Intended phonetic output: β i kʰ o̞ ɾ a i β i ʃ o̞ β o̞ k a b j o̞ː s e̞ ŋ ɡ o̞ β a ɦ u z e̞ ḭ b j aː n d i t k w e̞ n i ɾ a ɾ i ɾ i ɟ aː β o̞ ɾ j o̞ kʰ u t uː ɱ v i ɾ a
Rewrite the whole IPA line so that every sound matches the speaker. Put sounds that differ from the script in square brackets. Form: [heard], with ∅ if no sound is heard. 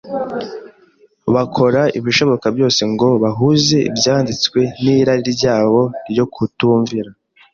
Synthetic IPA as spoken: β [a] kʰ o̞ ɾ a i β i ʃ o̞ β o̞ k a b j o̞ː s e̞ ŋ ɡ o̞ β a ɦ u z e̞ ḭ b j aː n d i [t͡s] k w e̞ n i ɾ a ɾ i ɾ i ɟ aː β o̞ ɾ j o̞ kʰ u t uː ɱ v i ɾ a

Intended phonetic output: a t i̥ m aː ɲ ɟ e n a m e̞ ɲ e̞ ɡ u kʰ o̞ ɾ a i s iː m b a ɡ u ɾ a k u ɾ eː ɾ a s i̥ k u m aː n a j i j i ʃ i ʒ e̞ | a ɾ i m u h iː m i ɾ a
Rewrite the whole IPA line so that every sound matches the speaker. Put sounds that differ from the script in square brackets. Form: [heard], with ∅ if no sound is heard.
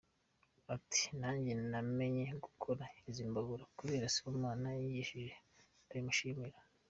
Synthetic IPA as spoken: a t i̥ [n] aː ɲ ɟ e n a m e̞ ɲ e̞ ɡ u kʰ o̞ ɾ a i [z] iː m b a ɡ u ɾ a k u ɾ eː ɾ a s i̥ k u m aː n a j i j i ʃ i ʒ e̞ | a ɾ i m u [ʃ] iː m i ɾ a

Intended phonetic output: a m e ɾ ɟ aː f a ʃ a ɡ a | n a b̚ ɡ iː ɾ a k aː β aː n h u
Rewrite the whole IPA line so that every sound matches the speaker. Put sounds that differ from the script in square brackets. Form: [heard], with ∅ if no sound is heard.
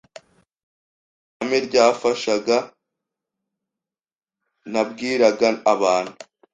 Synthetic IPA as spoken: a m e ɾ ɟ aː f a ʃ a ɡ a | n a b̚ ɡ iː ɾ a [ɡ] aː β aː n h u

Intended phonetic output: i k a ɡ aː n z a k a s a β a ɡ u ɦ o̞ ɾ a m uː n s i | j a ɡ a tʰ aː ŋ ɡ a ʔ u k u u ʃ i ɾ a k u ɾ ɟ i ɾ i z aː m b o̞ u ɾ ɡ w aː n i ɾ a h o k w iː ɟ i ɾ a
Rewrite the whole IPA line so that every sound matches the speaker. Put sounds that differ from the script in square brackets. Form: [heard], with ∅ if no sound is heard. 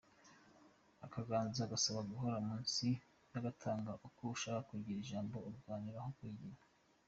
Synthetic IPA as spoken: [a] k a ɡ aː n z a [ɡ] a s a β a ɡ u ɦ o̞ ɾ a m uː n s i | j a ɡ a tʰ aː ŋ ɡ a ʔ u k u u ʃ [a] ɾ a k u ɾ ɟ i ɾ i [ʒ] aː m b o̞ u ɾ ɡ w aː n i ɾ a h o k w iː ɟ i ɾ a

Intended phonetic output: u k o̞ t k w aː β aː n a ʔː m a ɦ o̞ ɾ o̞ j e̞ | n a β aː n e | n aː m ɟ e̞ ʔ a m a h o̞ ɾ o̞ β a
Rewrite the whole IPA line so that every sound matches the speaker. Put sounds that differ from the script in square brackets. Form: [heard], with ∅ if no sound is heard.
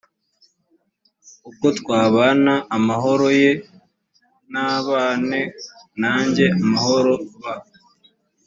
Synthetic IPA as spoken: u k o̞ t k w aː β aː n a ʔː m a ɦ o̞ ɾ o̞ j e̞ | n a β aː n e | n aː [ɲ] ɟ e̞ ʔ a m a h o̞ ɾ o̞ β a

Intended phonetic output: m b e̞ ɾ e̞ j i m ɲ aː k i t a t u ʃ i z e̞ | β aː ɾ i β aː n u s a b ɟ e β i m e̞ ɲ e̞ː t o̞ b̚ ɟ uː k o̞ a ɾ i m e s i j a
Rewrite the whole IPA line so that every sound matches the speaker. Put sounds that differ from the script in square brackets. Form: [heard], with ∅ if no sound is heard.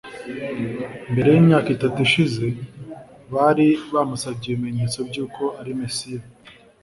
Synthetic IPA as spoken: m b e̞ ɾ e̞ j i m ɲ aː k i t a t u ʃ i z e̞ | β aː ɾ i β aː [m] u s a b ɟ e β i m e̞ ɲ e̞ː [t͡s] o̞ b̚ ɟ uː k o̞ a ɾ i m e s i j a

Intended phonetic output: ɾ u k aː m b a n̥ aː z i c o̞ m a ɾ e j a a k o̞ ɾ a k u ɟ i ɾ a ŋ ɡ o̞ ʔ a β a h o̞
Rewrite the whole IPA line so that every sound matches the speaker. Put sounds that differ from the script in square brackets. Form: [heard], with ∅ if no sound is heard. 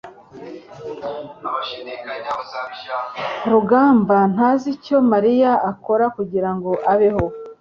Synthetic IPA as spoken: ɾ u [ɡ] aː m b a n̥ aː z i c o̞ m a ɾ [i] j a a k o̞ ɾ a k u ɟ i ɾ a ŋ ɡ o̞ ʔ a β [e] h o̞

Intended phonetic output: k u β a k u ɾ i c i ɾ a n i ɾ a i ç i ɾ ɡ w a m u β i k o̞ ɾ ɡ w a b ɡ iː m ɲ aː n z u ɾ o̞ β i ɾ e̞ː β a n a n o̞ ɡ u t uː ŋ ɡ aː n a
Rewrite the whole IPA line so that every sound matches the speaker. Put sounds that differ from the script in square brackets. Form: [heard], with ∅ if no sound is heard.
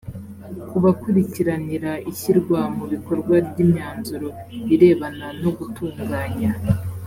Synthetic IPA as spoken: k u β a k u ɾ i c i ɾ a n i ɾ a i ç i ɾ ɡ w a m u β i k o̞ ɾ ɡ w a b [ɟ] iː m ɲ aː n z u ɾ o̞ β i ɾ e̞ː β a n a n o̞ ɡ u t uː ŋ ɡ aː [ɲ] a

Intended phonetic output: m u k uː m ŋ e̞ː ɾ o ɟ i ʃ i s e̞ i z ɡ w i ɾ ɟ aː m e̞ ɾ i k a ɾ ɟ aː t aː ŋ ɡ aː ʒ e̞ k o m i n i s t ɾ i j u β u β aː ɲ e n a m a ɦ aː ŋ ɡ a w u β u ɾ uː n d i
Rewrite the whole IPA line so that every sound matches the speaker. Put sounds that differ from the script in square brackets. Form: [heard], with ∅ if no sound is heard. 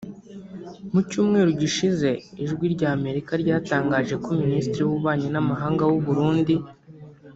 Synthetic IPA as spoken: m u [c] uː m ŋ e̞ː ɾ [u] ɟ i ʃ i [z] e̞ i [ʒ] ɡ w i ɾ ɟ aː m e̞ ɾ i k a ɾ ɟ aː t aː ŋ ɡ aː ʒ e̞ k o m i n i s t ɾ i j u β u β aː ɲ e n a m a ɦ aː ŋ ɡ a w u β u ɾ uː n d i

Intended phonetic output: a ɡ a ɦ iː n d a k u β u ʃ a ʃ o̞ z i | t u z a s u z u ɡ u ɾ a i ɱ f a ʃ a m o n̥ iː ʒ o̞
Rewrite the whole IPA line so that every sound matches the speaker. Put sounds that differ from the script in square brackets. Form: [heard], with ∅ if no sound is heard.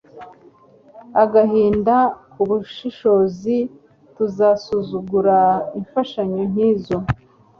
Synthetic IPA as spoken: a ɡ a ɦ iː n d a k u β u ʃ [i] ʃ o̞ z i | t u z a s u z u ɡ u ɾ a i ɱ f a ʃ a [ɲ] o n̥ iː [z] o̞

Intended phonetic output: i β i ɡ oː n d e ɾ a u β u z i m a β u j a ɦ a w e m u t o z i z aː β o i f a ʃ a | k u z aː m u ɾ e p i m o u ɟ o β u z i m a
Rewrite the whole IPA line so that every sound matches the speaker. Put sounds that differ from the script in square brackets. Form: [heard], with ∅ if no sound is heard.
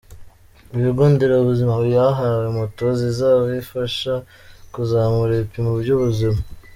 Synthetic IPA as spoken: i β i ɡ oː n d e ɾ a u β u z i m a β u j a ɦ a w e m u t o z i z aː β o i f a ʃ a | k u z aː m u ɾ e p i m [u] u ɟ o β u z i m a

